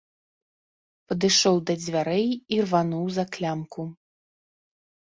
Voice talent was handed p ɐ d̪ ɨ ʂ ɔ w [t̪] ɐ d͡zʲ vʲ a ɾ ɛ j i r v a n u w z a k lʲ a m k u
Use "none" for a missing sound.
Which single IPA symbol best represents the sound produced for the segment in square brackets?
d̪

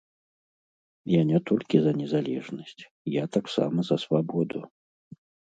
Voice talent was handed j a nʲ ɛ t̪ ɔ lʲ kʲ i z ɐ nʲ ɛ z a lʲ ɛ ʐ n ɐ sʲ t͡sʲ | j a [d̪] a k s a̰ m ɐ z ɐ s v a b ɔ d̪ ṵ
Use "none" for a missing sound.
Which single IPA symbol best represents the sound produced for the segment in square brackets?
t̪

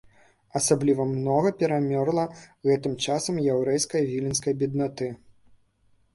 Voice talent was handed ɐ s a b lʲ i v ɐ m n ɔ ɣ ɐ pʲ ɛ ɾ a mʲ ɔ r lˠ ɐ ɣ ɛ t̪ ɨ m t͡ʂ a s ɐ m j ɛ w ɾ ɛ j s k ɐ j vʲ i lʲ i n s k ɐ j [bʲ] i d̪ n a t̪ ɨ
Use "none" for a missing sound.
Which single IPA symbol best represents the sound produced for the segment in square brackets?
bʲ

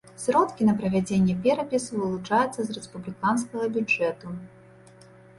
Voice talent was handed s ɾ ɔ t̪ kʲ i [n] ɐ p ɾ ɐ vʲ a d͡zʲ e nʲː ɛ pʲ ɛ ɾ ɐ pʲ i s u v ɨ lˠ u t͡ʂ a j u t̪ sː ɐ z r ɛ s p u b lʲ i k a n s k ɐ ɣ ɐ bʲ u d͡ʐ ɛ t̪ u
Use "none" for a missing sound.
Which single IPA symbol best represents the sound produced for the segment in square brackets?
n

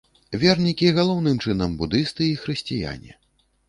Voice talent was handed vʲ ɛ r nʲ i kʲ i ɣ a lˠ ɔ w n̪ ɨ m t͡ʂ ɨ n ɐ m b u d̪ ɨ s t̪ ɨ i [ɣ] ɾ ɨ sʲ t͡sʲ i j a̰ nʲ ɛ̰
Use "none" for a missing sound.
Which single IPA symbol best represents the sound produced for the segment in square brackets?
x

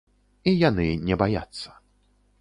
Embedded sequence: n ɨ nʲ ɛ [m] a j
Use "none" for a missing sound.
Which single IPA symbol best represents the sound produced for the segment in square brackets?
b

